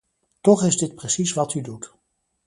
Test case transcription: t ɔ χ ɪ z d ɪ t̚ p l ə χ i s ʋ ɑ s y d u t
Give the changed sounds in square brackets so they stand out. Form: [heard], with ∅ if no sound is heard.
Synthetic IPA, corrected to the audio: t ɔ χ ɪ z d ɪ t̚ p [r] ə [s] i s ʋ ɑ [t] y d u t

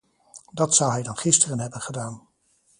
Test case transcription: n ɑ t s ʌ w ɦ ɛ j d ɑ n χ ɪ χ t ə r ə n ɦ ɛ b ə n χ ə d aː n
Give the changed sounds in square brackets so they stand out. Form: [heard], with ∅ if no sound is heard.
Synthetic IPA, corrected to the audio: [d] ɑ t s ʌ w ɦ ɛ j d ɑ n χ ɪ [s] t ə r ə n ɦ ɛ b ə n χ ə d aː n

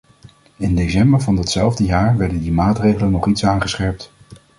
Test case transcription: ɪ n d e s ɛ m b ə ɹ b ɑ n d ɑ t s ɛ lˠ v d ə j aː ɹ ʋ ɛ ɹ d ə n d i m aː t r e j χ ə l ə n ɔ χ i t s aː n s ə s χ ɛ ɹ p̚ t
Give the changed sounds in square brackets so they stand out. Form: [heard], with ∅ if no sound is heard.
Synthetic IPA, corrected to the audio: ɪ n d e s ɛ m b ə ɹ [v] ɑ n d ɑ t s ɛ lˠ v d ə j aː ɹ ʋ ɛ ɹ d ə n d i m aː t r e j χ ə l ə n ɔ χ i t s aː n [χ] ə s χ ɛ ɹ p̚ t

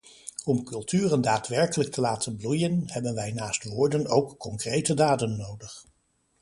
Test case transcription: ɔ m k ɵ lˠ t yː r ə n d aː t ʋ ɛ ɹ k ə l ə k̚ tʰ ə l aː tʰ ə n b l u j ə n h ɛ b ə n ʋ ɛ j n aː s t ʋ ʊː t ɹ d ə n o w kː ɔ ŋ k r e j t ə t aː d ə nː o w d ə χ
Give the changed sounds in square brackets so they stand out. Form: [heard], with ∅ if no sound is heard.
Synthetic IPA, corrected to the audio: ɔ m k ɵ lˠ t yː r ə n d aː t ʋ ɛ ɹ k ə l ə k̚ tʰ ə l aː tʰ ə n b l u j ə n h ɛ b ə n ʋ ɛ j n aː s t ʋ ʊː [∅] ɹ d ə n o w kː ɔ ŋ k r e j t ə [d] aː d ə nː o w d ə χ

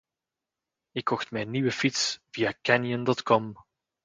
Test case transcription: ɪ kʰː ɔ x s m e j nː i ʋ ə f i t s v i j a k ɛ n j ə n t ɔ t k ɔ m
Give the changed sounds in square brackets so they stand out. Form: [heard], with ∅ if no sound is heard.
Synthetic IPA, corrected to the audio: ɪ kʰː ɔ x [t] m [ɛ] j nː i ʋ ə f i t s v i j a k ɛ n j ə n [d] ɔ t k ɔ m

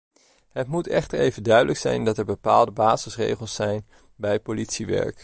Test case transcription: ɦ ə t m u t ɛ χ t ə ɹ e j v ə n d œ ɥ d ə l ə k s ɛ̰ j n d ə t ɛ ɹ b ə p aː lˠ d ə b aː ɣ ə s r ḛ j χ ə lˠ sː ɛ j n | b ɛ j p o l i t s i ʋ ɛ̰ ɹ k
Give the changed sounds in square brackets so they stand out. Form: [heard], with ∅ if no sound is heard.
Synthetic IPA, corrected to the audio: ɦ ə t m u t ɛ χ t ə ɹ e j v ə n d œ ɥ d ə l ə k s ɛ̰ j n d [ɑ] t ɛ ɹ b ə p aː lˠ d ə b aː [z] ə s r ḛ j χ ə lˠ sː ɛ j n | b ɛ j p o l i t s i ʋ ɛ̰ ɹ k

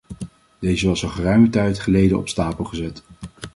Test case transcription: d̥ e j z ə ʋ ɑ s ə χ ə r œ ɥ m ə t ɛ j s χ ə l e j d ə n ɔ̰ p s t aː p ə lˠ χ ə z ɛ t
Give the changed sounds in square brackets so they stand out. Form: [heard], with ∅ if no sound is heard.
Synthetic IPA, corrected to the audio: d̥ e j z ə ʋ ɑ s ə χ ə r œ ɥ m ə t ɛ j [t] χ ə l e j d ə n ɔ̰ p s t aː p ə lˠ χ ə z ɛ t

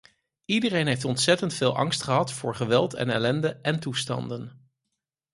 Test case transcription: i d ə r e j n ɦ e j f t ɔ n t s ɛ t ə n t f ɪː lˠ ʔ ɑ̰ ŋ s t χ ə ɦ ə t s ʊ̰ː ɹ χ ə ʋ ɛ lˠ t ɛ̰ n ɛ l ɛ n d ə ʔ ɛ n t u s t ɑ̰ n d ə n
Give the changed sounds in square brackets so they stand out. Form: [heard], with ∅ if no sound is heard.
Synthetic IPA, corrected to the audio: i d ə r e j n ɦ e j f t ɔ n t s ɛ t ə n t f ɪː lˠ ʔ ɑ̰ ŋ s t χ ə ɦ [ɑ] t [f] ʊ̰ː ɹ χ ə ʋ ɛ lˠ t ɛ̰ n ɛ l ɛ n d ə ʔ ɛ n t u s t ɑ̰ n d ə n

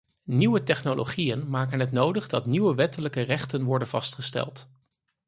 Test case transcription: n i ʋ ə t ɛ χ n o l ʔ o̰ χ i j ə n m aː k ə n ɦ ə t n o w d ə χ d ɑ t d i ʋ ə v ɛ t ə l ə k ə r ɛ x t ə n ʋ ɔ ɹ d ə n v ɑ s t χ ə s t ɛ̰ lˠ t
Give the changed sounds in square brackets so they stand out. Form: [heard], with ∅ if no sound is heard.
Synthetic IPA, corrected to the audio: n i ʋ ə t ɛ χ n o l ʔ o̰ χ i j ə n m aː k ə n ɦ ə t n o w d ə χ d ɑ t [n] i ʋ ə [ʋ] ɛ t ə l ə k ə r ɛ [χ] t ə n ʋ ɔ ɹ d ə n v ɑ s t χ ə s t ɛ̰ lˠ t

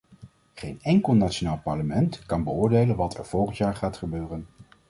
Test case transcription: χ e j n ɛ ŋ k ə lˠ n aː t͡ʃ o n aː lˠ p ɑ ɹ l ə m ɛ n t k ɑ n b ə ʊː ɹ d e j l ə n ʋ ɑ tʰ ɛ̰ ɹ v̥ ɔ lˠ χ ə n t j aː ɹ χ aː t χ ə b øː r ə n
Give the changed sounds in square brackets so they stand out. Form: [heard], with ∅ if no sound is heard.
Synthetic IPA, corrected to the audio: χ e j n ɛ ŋ k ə lˠ n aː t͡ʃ o n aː lˠ p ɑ ɹ l ə m ɛ n t k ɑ n b ə ʊː ɹ d e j l ə n ʋ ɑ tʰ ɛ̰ ɹ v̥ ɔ lˠ χ ə n t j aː ɹ χ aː t χ ə b øː r ə n

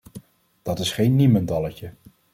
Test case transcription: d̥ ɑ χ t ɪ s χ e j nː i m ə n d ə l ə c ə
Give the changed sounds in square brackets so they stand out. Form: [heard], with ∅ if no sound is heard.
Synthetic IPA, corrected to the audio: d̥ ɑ [∅] t ɪ s χ e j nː i m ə n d [ɑ] l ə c ə

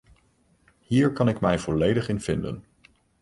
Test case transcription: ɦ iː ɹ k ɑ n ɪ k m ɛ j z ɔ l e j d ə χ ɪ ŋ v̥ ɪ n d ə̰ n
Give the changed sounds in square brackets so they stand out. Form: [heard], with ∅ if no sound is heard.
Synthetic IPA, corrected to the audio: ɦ iː ɹ k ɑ n ɪ k m ɛ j [v] ɔ l e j d ə χ ɪ [n] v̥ ɪ n d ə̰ n

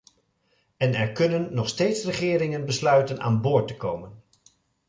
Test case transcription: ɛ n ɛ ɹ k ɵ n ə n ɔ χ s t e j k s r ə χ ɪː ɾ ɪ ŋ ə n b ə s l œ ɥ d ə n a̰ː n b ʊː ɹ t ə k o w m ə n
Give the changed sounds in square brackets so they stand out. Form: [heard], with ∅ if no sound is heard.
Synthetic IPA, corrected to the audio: ɛ n ɛ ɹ k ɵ n ə [nː] ɔ χ s t e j [t] s r ə χ ɪː ɾ ɪ ŋ ə n b ə s l œ ɥ [t] ə n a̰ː n b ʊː ɹ t ə k o w m ə n

